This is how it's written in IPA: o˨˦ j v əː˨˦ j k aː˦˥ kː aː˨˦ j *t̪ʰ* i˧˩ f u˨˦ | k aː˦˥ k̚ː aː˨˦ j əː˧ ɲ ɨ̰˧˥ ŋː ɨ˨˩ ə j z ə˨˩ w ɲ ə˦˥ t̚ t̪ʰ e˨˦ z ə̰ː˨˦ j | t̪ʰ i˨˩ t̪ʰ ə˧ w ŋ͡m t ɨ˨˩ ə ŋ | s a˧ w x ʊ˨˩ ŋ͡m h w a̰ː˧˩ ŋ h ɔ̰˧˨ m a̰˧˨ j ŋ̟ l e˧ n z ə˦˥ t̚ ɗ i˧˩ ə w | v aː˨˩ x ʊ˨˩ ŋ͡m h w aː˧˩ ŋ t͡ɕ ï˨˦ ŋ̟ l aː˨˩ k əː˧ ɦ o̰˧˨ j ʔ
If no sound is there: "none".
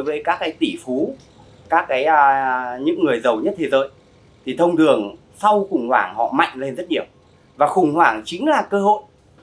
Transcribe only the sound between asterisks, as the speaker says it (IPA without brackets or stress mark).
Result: t̪